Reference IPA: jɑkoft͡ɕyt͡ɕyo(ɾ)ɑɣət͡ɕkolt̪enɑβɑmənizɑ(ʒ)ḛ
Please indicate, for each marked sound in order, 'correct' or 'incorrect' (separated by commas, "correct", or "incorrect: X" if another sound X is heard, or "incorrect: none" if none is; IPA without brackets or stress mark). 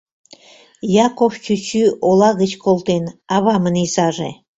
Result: incorrect: l, correct